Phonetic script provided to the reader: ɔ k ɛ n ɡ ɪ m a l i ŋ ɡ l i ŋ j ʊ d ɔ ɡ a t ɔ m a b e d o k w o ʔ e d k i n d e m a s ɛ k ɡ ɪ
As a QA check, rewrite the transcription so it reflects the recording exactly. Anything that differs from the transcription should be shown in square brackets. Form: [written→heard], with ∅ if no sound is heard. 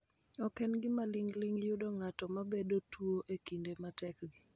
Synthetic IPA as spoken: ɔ k ɛ n ɡ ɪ m a l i ŋ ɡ l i ŋ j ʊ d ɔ [ɡ→ŋ] a t ɔ m a b e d o [k→t] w o ʔ e [d→∅] k i n d e m a [s→t] ɛ k ɡ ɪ